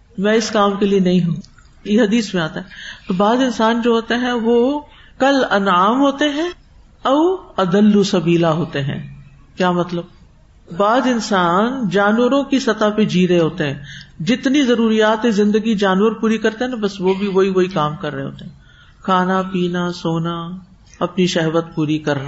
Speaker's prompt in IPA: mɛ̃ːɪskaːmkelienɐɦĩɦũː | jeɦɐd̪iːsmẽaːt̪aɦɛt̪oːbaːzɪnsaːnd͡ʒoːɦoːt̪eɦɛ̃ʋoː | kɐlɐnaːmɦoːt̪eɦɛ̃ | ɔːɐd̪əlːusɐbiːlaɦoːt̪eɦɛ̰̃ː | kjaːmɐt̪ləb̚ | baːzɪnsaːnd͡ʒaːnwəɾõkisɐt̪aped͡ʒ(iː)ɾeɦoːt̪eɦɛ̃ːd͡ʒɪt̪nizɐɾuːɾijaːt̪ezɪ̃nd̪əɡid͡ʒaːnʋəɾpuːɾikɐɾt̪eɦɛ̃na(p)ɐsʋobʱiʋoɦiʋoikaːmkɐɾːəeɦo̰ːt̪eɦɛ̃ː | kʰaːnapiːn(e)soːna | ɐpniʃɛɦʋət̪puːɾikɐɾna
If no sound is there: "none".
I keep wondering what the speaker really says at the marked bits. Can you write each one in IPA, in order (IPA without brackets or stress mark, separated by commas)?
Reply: iː, b, a